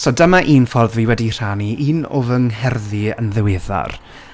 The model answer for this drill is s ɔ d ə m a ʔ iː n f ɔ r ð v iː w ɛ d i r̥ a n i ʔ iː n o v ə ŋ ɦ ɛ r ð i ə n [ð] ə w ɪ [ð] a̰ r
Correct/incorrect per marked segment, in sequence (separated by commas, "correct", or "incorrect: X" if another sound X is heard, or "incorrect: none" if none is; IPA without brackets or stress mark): correct, correct